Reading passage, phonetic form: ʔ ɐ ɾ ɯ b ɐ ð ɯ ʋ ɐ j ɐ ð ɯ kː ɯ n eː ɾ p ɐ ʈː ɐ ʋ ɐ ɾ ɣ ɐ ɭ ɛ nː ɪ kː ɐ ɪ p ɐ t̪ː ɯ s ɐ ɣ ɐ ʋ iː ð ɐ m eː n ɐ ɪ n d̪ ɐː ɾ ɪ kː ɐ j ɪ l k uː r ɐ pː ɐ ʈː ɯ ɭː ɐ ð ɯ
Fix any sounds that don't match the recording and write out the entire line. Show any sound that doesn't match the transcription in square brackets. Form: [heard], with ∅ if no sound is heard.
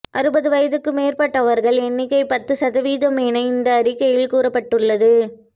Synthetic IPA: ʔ ɐ ɾ ɯ b ɐ ð ɯ ʋ ɐ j ɐ ð ɯ kː ɯ [m] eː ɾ p ɐ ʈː ɐ ʋ ɐ ɾ ɣ ɐ ɭ ɛ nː ɪ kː ɐ ɪ p ɐ t̪ː ɯ s ɐ [ð] ɐ ʋ iː ð ɐ m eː n ɐ ɪ n d̪ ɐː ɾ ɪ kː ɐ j ɪ l k uː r ɐ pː ɐ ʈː ɯ ɭː ɐ ð ɯ